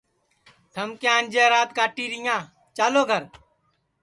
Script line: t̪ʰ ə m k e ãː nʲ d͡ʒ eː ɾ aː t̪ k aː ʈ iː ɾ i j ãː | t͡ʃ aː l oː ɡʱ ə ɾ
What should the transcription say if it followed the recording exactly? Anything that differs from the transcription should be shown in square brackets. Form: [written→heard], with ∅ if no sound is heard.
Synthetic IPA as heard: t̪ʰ ə m k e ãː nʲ d͡ʒ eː ɾ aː t̪ k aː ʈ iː ɾ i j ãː | t͡ʃ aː l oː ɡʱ ə ɾ